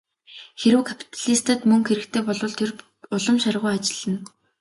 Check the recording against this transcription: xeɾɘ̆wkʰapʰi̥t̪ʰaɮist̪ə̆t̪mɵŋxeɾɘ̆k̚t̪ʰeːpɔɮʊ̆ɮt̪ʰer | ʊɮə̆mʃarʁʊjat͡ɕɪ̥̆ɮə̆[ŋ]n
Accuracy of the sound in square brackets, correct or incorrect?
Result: incorrect: none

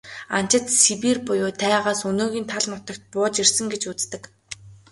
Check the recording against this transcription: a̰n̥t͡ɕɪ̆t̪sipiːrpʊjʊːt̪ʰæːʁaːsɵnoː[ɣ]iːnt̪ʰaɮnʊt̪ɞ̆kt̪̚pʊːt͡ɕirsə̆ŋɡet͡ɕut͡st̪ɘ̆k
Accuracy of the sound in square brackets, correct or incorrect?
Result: correct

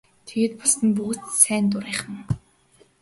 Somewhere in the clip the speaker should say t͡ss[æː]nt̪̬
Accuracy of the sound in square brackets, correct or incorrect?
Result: correct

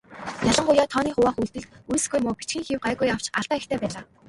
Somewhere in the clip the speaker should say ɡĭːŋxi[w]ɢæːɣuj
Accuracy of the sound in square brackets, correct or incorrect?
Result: correct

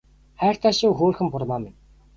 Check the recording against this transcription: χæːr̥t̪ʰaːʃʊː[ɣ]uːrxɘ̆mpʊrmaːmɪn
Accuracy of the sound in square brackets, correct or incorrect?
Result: incorrect: x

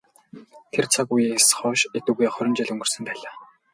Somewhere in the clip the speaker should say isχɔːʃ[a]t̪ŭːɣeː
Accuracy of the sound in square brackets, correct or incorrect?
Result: incorrect: e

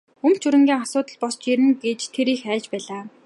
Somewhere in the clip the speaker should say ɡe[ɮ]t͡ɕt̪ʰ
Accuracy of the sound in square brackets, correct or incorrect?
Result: incorrect: none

